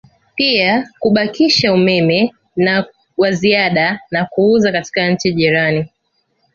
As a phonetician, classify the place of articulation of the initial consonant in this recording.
labial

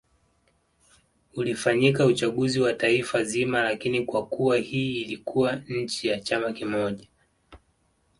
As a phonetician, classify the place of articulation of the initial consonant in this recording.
alveolar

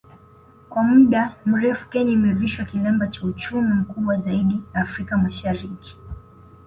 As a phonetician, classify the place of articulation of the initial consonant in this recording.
velar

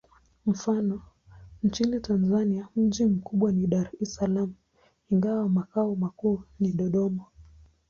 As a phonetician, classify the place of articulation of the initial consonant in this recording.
labial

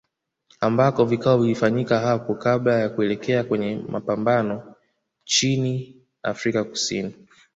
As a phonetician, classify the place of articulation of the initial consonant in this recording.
labial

